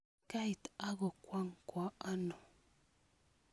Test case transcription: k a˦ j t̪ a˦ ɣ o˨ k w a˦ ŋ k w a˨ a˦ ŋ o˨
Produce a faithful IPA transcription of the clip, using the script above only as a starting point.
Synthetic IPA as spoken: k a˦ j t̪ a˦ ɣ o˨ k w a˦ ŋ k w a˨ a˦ n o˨

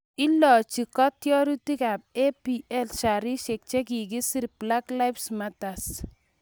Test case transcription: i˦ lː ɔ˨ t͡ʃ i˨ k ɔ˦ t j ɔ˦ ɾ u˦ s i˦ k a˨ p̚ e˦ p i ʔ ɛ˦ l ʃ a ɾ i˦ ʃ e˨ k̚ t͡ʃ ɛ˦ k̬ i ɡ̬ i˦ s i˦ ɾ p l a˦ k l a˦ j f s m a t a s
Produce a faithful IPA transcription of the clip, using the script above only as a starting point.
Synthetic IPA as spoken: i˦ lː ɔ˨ t͡ʃ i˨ k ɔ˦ t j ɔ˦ ɾ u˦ t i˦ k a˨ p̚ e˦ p i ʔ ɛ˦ l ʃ a ɾ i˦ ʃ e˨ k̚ t͡ʃ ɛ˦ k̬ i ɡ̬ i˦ s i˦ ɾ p l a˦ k l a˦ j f s m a t a s

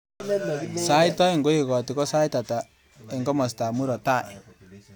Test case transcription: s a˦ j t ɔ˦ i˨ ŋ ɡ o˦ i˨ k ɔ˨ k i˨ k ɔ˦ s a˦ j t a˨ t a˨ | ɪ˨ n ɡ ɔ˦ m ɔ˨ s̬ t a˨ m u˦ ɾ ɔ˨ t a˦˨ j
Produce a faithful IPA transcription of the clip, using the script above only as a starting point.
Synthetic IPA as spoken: s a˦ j t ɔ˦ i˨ ŋ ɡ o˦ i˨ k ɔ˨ t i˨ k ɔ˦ s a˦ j t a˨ t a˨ | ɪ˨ ŋ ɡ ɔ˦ m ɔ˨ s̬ t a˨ m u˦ ɾ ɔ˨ t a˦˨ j

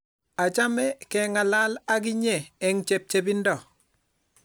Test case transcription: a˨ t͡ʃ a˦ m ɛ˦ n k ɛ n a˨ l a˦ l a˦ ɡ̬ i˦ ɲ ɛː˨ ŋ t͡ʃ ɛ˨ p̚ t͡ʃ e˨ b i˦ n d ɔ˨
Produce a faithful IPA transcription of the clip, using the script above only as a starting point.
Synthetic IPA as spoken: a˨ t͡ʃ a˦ m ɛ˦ k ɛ ŋ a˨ l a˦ l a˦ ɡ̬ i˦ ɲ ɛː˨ ŋ t͡ʃ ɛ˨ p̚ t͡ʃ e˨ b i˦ n d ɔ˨

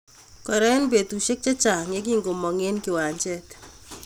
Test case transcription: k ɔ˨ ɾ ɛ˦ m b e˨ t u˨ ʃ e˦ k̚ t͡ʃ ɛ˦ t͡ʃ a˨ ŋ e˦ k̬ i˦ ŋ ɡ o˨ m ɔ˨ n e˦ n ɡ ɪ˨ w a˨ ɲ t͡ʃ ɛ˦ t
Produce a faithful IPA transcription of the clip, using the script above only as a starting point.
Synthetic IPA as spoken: k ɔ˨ ɾ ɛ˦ n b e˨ t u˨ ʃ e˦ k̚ t͡ʃ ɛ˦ t͡ʃ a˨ ŋ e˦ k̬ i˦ ŋ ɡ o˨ m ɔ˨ ŋ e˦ n k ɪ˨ w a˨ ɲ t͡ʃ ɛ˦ t

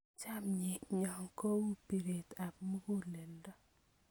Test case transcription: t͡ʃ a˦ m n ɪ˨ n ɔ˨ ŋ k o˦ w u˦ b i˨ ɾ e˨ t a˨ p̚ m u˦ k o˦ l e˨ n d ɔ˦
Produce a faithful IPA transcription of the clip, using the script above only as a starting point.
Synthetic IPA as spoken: t͡ʃ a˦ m ɲ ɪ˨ ɲ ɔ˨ ŋ k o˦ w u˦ p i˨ ɾ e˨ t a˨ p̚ m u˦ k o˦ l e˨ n d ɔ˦

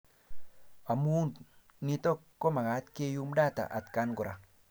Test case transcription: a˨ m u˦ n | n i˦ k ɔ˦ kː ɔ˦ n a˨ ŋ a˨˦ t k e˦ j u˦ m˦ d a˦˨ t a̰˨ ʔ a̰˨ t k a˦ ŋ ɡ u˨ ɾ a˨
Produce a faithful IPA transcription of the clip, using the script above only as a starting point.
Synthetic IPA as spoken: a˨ m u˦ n | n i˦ t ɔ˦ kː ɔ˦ m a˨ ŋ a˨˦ t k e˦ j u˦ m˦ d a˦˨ t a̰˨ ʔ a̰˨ t k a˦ n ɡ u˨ ɾ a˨

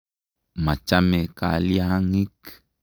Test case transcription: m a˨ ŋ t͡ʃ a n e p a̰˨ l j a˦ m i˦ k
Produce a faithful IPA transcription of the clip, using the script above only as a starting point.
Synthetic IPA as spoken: m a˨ t͡ʃ a m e k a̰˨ l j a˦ ŋ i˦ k

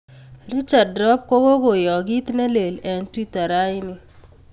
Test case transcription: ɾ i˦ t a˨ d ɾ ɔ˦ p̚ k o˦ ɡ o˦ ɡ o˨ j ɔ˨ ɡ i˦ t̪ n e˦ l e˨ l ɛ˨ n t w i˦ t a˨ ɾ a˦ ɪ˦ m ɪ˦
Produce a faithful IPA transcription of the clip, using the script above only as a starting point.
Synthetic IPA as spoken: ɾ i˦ t͡ʃ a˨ d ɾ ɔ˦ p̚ k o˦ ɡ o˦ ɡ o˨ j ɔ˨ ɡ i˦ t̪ n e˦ l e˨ l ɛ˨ n t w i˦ t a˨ ɾ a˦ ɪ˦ n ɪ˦

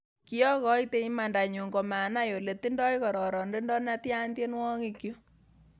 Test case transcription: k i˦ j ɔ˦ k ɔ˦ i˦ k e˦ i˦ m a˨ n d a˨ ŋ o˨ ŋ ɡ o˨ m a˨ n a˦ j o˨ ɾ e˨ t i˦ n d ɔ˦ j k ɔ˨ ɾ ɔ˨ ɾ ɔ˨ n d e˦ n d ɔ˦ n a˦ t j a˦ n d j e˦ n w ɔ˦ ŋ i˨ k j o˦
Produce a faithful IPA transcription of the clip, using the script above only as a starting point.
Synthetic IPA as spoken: k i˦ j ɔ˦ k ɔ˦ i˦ t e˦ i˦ m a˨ n d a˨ ɲ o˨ ŋ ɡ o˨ m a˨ n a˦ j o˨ l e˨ t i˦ n d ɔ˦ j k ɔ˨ ɾ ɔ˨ ɾ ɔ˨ n d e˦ n d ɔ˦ n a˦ t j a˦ n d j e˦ n w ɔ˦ ŋ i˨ k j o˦

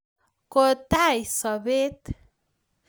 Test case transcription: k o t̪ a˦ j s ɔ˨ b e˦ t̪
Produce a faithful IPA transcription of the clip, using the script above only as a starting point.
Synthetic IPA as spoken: k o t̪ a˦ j s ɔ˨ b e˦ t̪

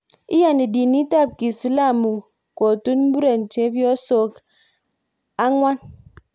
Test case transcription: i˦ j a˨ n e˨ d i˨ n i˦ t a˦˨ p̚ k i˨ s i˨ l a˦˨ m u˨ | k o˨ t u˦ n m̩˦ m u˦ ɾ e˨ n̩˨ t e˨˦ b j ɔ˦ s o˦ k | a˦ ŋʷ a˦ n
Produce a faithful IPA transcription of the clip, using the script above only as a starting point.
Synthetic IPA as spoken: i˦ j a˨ n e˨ d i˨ n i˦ t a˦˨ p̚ k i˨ s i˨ l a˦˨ m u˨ | k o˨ t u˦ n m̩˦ b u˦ ɾ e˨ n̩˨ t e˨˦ b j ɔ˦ s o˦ k | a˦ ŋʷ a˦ n

